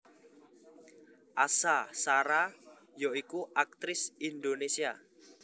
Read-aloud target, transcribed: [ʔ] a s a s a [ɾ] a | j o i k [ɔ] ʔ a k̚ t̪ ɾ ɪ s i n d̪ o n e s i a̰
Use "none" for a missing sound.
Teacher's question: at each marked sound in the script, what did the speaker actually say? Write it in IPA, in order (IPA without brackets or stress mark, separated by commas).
ʔ, ɾ, u